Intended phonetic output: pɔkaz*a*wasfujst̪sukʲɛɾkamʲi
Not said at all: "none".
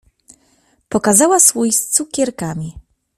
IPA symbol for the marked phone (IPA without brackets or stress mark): a